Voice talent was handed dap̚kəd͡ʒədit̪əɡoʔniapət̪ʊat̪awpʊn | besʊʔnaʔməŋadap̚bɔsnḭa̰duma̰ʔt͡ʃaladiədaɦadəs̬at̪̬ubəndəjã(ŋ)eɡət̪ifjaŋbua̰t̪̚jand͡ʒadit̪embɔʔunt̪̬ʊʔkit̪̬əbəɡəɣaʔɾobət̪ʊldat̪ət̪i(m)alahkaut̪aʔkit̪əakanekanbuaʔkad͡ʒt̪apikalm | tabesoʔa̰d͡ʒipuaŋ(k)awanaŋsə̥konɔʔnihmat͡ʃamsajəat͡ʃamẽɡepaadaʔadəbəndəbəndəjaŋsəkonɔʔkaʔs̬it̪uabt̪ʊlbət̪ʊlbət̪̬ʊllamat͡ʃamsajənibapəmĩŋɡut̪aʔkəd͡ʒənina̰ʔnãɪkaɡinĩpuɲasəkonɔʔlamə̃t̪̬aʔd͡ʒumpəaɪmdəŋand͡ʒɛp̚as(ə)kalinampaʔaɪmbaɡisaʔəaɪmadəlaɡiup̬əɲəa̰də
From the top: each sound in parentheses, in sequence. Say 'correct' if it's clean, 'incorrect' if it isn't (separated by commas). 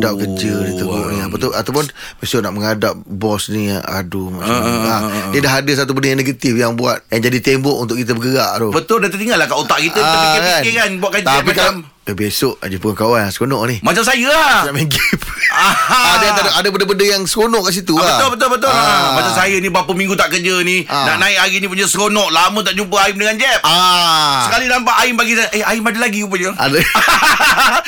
incorrect, incorrect, correct, correct